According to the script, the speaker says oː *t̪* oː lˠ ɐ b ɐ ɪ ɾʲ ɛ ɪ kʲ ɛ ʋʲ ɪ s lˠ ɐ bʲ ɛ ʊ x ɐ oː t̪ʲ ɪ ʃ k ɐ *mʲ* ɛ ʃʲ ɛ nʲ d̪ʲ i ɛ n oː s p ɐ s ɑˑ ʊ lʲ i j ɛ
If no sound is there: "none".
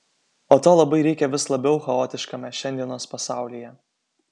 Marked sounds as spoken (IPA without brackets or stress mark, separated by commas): t̪, mʲ